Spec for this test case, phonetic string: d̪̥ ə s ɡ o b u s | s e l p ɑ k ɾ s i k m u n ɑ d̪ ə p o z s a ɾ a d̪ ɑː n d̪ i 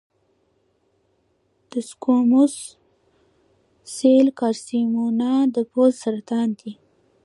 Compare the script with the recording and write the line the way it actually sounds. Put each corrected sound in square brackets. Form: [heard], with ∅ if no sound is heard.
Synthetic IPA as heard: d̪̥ ə s [k] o [m] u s | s e l [k] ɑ [∅] ɾ s i [∅] m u n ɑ d̪ ə p o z s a ɾ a [t̪] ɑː n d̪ i